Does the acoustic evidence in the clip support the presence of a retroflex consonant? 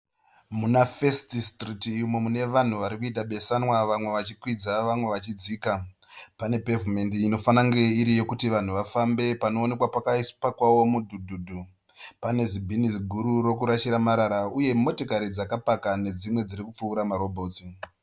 no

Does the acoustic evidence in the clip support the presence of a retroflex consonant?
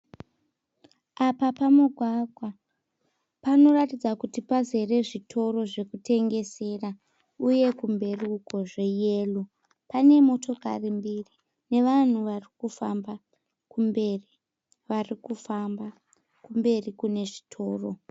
yes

